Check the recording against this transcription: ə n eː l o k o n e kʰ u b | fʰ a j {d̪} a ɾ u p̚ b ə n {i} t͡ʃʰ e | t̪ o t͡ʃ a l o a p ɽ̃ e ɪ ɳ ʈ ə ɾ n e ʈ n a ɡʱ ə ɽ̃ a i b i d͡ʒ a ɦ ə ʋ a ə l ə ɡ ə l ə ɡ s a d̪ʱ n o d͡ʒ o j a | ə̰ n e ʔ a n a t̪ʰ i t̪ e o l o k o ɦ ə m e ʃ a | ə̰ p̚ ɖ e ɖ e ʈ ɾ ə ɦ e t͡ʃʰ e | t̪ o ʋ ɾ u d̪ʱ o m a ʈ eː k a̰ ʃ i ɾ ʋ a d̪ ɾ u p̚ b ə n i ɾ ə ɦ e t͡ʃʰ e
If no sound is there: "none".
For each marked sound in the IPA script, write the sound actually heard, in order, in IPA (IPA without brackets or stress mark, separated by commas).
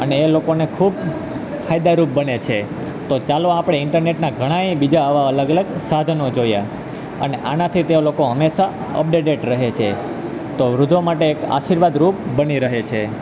d̪, e